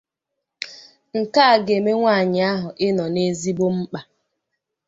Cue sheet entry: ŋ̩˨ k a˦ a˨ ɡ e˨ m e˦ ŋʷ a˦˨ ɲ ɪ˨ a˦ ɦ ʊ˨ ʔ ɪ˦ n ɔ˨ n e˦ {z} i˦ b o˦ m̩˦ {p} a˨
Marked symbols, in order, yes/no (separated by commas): yes, no